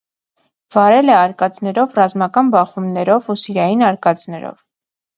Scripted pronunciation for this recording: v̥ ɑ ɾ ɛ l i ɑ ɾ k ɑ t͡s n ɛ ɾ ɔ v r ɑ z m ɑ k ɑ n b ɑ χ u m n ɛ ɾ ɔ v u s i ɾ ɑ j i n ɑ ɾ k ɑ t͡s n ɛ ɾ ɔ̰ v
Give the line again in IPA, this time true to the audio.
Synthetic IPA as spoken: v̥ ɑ ɾ ɛ l ɛ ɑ ɾ k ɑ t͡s n ɛ ɾ ɔ v r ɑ z m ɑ k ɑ n b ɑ χ u m n ɛ ɾ ɔ v u s i ɾ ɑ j i n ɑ ɾ k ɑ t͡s n ɛ ɾ ɔ̰ v